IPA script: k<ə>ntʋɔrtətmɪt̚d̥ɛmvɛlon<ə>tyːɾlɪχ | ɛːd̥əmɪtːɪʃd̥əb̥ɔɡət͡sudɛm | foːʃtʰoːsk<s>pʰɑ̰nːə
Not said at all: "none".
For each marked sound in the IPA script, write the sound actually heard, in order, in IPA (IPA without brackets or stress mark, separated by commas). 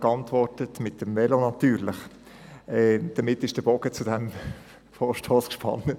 ɑ, ɑ, ʃ